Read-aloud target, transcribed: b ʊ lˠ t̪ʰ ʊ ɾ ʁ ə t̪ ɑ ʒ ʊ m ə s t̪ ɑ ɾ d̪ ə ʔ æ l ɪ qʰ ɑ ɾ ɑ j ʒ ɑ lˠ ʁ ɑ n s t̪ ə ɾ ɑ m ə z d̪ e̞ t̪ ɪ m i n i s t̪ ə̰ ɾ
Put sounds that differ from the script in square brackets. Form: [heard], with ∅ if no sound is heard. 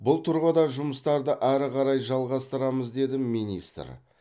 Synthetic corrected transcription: b ʊ lˠ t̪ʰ ʊ ɾ ʁ ə [d̪] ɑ ʒ ʊ m ə s t̪ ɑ ɾ d̪ ə ʔ æ [ɾ] ɪ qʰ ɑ ɾ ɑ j ʒ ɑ lˠ ʁ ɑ [∅] s t̪ ə ɾ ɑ m ə z d̪ e̞ [d̪] ɪ m i n i s t̪ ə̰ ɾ